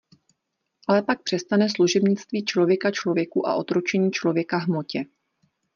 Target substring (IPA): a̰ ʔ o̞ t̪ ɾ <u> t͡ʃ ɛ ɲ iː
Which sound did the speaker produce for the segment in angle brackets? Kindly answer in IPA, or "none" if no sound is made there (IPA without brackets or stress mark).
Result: o